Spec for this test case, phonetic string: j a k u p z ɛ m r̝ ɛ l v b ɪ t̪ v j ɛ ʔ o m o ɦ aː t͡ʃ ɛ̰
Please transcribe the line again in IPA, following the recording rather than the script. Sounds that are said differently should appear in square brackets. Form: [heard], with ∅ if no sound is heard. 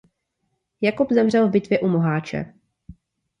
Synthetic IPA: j a k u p z ɛ m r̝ ɛ l v b ɪ t̪ v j ɛ ʔ [u] m o ɦ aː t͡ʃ ɛ̰